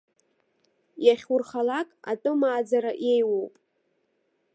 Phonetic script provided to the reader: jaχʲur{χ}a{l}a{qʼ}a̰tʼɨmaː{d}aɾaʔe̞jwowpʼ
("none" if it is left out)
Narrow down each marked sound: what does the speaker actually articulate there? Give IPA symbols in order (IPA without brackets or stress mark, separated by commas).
χ, l, kʼ, d͡z